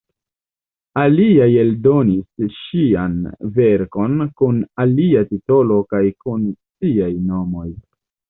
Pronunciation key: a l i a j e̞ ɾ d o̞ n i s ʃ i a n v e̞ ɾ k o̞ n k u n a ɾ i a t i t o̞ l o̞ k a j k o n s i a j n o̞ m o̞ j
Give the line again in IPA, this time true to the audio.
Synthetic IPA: a l i a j e̞ l d o̞ n i s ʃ i a n v e̞ ɾ k o̞ n k u n a l i a t i t o̞ l o̞ k a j k u n s i a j n o̞ m o̞ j